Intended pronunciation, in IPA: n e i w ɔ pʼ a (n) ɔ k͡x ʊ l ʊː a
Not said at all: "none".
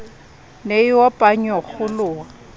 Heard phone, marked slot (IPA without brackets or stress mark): ɲ